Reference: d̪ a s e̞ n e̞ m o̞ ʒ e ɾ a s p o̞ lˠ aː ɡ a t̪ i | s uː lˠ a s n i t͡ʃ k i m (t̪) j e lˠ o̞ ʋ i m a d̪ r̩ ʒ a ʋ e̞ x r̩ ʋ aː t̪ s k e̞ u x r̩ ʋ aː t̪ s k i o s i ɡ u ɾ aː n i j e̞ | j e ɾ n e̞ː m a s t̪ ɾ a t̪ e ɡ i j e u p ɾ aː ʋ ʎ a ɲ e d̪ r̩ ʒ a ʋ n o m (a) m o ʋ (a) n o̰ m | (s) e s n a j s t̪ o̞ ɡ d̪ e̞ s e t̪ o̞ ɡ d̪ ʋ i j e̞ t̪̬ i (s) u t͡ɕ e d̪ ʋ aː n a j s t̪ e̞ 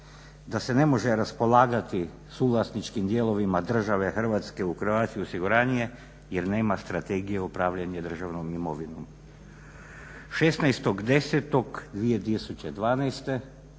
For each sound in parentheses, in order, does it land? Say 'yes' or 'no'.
no, no, no, no, yes

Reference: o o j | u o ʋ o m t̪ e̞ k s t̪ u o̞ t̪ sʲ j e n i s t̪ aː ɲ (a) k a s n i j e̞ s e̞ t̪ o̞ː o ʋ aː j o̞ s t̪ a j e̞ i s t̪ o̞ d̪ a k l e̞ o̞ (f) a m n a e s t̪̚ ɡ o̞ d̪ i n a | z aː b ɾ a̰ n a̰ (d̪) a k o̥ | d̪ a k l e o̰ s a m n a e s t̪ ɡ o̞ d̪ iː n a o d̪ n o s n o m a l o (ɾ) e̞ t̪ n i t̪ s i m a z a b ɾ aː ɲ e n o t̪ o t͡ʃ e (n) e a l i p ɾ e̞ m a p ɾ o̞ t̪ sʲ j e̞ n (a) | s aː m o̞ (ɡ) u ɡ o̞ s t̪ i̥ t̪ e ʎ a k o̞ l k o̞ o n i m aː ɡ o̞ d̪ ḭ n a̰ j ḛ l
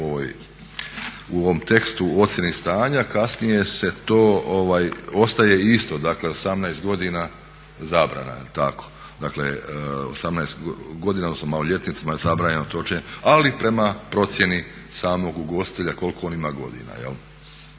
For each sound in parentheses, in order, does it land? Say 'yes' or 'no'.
yes, no, no, no, no, no, yes

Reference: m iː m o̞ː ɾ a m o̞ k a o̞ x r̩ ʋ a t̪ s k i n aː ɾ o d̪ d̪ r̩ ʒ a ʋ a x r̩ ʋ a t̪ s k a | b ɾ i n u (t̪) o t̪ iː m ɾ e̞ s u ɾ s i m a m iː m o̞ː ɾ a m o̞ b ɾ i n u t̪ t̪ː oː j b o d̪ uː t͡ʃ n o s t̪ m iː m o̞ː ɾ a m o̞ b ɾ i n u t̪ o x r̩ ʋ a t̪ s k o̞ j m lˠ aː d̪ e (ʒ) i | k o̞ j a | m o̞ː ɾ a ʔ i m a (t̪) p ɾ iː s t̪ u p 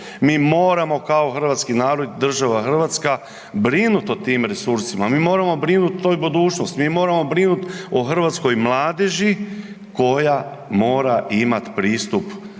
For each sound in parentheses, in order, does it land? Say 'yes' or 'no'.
yes, yes, yes

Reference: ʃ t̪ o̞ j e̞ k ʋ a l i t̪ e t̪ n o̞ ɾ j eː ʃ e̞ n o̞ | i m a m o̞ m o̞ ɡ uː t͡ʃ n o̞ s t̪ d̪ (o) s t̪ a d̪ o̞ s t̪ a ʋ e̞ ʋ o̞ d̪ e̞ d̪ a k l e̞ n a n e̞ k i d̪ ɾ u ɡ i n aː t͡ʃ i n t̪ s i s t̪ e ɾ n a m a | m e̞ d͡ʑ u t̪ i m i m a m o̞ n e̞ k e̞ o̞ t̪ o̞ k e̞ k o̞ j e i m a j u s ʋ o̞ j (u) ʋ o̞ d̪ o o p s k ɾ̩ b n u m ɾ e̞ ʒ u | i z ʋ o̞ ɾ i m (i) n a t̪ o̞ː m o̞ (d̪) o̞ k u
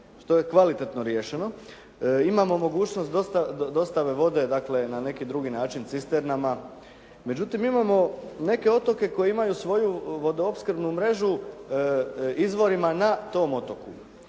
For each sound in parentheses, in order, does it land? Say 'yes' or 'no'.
yes, yes, no, no

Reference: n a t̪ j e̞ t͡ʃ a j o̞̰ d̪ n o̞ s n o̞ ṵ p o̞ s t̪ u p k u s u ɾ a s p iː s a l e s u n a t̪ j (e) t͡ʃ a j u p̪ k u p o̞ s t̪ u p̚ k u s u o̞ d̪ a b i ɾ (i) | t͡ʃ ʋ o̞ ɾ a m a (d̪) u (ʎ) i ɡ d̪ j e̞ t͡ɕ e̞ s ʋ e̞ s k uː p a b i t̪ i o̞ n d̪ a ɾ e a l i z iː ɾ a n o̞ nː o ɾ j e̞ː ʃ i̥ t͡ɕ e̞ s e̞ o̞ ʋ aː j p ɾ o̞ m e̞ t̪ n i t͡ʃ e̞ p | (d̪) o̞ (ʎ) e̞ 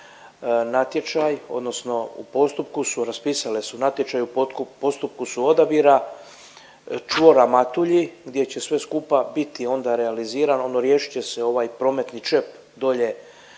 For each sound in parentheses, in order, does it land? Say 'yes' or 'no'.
yes, no, no, yes, yes, yes

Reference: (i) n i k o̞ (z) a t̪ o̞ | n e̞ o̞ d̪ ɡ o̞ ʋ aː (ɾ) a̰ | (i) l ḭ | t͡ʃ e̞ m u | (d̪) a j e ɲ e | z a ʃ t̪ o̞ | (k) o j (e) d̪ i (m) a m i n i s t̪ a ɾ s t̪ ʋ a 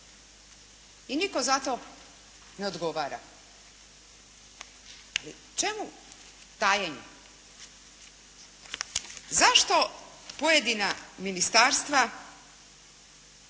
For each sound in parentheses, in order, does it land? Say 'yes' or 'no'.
yes, yes, yes, no, no, no, yes, no

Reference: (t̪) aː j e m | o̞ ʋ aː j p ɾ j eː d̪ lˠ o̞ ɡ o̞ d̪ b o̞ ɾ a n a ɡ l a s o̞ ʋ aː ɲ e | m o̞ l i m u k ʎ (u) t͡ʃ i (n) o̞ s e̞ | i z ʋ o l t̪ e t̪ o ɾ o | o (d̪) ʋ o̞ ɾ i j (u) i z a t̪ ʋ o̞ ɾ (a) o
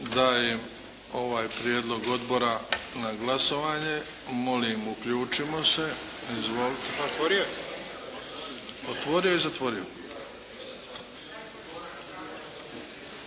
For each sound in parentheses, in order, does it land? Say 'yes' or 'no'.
no, no, no, no, no, no

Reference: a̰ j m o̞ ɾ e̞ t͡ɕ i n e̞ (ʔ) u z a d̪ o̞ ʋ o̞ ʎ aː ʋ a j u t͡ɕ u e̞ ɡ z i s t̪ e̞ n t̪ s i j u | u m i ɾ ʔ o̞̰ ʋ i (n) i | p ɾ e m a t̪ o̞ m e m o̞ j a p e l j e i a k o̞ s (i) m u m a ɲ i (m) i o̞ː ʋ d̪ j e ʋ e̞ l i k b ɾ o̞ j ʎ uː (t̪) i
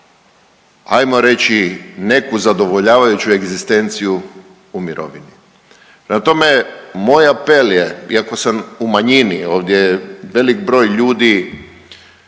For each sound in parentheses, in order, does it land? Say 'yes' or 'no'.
no, yes, no, no, no

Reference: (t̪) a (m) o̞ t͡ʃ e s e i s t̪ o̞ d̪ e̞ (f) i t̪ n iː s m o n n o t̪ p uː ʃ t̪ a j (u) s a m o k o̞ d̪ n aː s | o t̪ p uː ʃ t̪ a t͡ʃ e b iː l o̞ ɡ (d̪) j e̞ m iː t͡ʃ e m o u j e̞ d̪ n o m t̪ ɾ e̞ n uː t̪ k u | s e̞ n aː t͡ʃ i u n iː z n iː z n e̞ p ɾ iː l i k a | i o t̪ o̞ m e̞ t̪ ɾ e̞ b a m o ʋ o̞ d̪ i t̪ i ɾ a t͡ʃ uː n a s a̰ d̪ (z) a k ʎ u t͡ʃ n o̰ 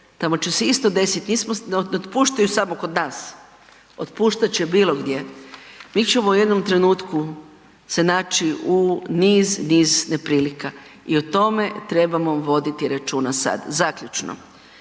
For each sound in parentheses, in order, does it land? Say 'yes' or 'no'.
yes, yes, no, yes, yes, yes

